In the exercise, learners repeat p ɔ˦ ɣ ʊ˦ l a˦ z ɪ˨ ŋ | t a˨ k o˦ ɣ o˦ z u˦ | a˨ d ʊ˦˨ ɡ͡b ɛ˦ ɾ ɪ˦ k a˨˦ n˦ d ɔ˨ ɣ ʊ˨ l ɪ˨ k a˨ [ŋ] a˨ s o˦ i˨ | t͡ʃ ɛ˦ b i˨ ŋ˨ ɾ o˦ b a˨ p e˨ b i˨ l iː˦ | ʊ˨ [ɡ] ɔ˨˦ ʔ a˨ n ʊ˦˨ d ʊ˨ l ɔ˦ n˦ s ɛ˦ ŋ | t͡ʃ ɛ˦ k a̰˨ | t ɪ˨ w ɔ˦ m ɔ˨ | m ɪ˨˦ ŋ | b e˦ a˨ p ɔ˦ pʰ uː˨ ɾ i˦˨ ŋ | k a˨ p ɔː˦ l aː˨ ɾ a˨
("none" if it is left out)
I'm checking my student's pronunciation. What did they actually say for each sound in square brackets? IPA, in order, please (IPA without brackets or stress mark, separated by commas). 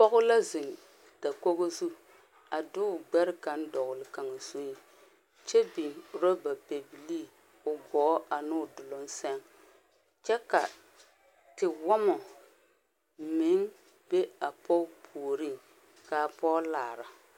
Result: ŋ, ɡ